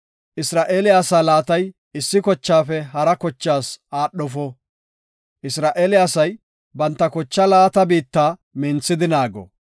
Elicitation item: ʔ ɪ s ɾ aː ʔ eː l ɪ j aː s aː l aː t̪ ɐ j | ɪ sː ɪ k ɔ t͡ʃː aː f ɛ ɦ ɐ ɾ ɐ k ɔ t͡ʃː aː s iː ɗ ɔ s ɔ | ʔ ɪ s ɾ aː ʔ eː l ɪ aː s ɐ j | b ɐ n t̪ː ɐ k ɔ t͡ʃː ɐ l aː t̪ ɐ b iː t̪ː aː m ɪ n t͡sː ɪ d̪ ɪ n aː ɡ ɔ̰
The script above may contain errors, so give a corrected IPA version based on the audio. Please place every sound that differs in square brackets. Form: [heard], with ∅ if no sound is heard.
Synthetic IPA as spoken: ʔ ɪ s ɾ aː ʔ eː l ɪ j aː s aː l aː t̪ ɐ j | ɪ sː ɪ k ɔ t͡ʃː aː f ɛ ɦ ɐ ɾ ɐ k ɔ t͡ʃː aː s [aː] ɗ ɔ [f] ɔ | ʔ ɪ s ɾ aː ʔ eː l ɪ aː s ɐ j | b ɐ n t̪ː ɐ k ɔ t͡ʃː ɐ l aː t̪ ɐ b iː t̪ː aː m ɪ n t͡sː ɪ d̪ ɪ n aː ɡ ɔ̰

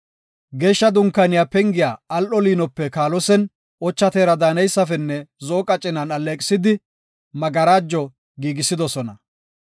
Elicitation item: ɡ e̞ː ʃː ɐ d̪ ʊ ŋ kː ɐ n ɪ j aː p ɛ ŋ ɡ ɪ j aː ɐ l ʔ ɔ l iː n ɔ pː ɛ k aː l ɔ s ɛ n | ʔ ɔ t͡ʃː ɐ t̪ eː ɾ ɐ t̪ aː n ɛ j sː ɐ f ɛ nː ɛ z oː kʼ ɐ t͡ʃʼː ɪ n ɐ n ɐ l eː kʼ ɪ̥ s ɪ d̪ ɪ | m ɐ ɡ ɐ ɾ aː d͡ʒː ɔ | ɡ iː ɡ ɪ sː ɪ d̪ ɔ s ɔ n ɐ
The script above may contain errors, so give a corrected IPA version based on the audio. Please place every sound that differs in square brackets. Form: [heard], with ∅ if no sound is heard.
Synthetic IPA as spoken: ɡ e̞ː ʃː ɐ d̪ ʊ ŋ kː ɐ n ɪ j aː p ɛ ŋ ɡ ɪ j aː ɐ l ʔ ɔ l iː n ɔ pː ɛ k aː l ɔ s ɛ n | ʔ ɔ t͡ʃː ɐ t̪ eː ɾ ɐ [d̪] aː n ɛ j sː ɐ f ɛ nː ɛ z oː kʼ ɐ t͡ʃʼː ɪ n ɐ n ɐ l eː kʼ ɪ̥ s ɪ d̪ ɪ | m ɐ ɡ ɐ ɾ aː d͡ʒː ɔ | ɡ iː ɡ ɪ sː ɪ d̪ ɔ s ɔ n ɐ

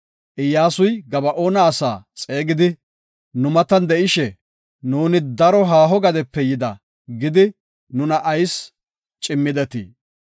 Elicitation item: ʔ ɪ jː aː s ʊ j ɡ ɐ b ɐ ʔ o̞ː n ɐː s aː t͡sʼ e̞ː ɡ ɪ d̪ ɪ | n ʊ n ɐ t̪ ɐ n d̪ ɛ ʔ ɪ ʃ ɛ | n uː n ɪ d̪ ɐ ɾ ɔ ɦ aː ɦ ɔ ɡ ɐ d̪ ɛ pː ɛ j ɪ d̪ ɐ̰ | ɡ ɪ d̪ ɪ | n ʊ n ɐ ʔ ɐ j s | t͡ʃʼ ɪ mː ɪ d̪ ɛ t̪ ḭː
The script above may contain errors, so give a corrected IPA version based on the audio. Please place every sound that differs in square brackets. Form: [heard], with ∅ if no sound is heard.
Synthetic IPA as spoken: ʔ ɪ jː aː s ʊ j ɡ ɐ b ɐ ʔ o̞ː n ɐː s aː t͡sʼ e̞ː ɡ ɪ d̪ ɪ | n ʊ [m] ɐ t̪ ɐ n d̪ ɛ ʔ ɪ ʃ ɛ | n uː n ɪ d̪ ɐ ɾ ɔ ɦ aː ɦ ɔ ɡ ɐ d̪ ɛ pː ɛ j ɪ d̪ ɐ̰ | ɡ ɪ d̪ ɪ | n ʊ n ɐ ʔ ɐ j s | t͡ʃʼ ɪ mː ɪ d̪ ɛ t̪ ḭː

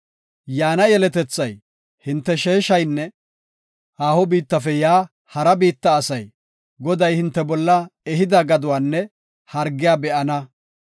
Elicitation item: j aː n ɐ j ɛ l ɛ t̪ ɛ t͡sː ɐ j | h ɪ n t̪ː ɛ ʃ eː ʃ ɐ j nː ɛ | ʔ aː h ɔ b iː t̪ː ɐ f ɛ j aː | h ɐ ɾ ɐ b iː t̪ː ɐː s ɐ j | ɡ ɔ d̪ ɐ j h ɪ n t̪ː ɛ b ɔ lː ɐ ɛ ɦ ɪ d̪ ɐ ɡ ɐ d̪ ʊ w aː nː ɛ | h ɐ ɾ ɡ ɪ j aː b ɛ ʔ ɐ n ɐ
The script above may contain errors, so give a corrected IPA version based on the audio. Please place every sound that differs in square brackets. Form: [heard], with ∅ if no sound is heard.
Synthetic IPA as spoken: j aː n ɐ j ɛ l ɛ t̪ ɛ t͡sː ɐ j | h ɪ n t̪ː ɛ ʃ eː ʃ ɐ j nː ɛ | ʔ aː h ɔ b iː t̪ː ɐ f ɛ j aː | h ɐ ɾ ɐ b iː t̪ː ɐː s ɐ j | ɡ ɔ d̪ ɐ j h ɪ n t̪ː ɛ b ɔ lː ɐ ɛ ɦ ɪ d̪ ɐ ɡ ɐ d̪ ʊ w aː nː ɛ | h ɐ ɾ ɡ ɪ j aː b ɛ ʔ ɐ n ɐ

